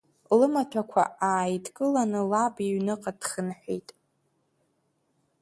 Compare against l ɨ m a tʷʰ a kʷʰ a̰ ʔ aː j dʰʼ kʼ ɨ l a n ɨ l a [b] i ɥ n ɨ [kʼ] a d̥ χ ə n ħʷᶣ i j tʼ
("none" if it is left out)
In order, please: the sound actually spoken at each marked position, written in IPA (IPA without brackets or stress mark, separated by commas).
b, qʼ